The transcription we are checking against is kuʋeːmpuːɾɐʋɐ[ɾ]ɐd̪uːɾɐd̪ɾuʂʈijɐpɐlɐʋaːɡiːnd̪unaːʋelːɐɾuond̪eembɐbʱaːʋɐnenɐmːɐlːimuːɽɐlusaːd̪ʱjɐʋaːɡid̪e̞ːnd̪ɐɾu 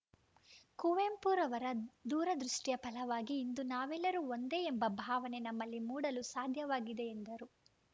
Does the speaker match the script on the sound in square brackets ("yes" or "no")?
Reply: yes